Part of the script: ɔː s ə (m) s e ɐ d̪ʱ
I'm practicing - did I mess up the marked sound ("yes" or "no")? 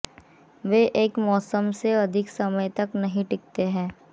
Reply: no